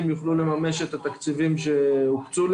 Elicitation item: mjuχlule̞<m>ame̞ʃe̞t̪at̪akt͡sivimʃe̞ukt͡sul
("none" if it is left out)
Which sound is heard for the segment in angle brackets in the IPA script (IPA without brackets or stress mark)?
m